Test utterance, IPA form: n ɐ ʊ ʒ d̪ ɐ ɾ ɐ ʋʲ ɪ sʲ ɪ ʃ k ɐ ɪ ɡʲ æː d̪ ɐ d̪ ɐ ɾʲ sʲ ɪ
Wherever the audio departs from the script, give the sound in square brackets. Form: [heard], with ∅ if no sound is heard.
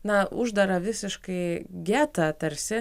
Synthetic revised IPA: n ɐ ʊ ʒ d̪ ɐ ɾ ɐ ʋʲ ɪ sʲ ɪ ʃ k ɐ ɪ ɡʲ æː [t̪] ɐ [t̪] ɐ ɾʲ sʲ ɪ